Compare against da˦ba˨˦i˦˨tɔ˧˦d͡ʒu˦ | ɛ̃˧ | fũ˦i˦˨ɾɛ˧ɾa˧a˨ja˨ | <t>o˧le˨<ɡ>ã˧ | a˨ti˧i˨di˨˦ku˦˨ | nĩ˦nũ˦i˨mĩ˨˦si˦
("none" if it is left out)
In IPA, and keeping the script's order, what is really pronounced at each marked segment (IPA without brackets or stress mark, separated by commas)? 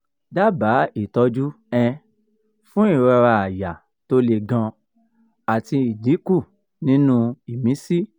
t, ɡ